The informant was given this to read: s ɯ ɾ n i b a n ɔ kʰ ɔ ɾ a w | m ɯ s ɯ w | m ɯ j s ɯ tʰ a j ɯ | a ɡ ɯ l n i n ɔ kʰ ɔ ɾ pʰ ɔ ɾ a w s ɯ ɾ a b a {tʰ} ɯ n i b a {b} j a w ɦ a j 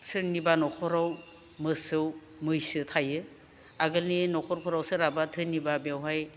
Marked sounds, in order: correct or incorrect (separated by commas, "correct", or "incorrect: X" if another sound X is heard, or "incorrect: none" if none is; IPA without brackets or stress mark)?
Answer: correct, correct